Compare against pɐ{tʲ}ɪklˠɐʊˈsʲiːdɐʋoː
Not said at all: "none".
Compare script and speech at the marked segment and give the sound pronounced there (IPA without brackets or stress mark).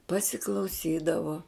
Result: sʲ